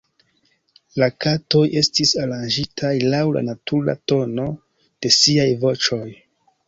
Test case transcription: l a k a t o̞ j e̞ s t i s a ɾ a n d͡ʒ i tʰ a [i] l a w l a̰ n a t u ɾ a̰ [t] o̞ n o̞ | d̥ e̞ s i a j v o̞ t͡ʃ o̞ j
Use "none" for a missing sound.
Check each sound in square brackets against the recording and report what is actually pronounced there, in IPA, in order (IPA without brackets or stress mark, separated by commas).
j, t